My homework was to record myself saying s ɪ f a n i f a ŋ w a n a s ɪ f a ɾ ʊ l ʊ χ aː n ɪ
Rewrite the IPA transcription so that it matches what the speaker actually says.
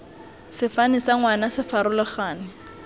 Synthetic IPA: s ɪ f a n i s a ŋ w a n a s ɪ f a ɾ ʊ l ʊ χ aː n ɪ